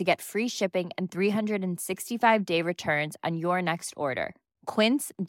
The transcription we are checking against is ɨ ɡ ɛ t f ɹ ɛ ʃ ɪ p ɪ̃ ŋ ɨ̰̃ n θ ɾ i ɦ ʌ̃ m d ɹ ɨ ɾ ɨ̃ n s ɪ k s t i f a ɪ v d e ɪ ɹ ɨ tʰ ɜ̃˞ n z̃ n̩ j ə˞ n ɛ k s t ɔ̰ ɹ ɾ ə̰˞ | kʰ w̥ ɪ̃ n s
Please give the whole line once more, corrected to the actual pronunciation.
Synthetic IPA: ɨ ɡ ɛ t f ɹ i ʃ ɪ p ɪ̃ ŋ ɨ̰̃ n θ ɹ i ɦ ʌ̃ n d ɹ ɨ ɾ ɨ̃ n s ɪ k s t i f a ɪ v d e ɪ ɹ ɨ tʰ ɜ̃˞ n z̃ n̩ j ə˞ n ɛ k s t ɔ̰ ɹ ɾ ə̰˞ | kʰ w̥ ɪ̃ n s